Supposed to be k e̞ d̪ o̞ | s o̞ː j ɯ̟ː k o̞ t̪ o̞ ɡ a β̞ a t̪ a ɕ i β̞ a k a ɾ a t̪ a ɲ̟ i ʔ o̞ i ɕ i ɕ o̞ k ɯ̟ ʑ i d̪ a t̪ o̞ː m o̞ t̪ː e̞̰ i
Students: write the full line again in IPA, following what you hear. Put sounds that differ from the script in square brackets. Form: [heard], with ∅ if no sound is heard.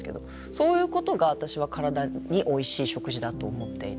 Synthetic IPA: k e̞ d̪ o̞ | s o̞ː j ɯ̟ː k o̞ t̪ o̞ ɡ a β̞ a t̪ a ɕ i β̞ a k a ɾ a [d̪] a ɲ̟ i ʔ o̞ i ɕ [iː] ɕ o̞ k ɯ̟ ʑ i d̪ a t̪ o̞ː m o̞ t̪ː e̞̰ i